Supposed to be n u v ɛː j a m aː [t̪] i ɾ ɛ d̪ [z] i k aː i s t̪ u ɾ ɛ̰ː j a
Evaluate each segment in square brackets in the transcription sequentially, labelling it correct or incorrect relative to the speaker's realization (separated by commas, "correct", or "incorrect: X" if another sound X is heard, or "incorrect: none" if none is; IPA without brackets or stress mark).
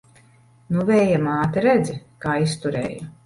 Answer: correct, correct